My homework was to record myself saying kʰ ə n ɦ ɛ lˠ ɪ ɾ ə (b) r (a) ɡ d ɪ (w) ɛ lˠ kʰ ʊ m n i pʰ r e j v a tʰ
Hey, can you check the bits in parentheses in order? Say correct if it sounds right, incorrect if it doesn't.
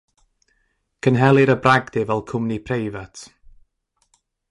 correct, correct, incorrect

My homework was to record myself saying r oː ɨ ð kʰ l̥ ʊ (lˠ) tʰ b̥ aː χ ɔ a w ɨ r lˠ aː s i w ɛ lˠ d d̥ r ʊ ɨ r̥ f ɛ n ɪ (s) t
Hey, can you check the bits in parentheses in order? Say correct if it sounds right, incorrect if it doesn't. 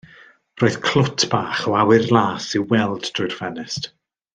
incorrect, correct

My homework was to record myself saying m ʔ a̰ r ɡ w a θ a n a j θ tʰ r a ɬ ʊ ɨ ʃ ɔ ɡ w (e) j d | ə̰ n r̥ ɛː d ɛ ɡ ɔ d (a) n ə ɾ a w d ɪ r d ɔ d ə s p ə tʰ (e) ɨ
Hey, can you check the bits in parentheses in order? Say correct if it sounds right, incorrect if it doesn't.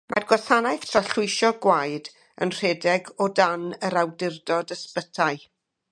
incorrect, correct, incorrect

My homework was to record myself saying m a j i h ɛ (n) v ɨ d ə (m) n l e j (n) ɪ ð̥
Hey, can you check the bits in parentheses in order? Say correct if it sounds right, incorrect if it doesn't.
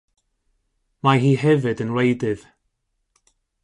incorrect, incorrect, incorrect

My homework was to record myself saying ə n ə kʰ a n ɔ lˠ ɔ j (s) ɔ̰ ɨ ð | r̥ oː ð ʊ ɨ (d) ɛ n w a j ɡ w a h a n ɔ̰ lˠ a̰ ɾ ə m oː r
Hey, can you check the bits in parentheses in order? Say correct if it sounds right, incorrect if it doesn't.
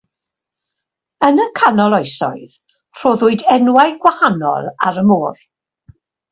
correct, correct

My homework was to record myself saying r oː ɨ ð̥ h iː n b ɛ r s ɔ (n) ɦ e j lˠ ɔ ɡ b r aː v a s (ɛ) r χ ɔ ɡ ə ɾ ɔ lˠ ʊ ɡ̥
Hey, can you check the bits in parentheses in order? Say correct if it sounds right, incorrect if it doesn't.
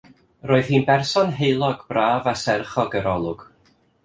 correct, correct

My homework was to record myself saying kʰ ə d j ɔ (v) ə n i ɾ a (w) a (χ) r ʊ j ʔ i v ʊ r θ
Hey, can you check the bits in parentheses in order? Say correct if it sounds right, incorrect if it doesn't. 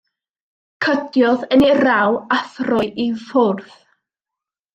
incorrect, correct, incorrect

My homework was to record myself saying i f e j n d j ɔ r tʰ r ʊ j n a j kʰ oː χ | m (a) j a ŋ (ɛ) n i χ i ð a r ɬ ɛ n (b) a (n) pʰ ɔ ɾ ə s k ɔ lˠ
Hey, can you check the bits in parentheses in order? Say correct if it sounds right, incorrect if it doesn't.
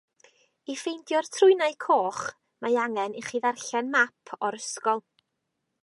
correct, correct, incorrect, incorrect

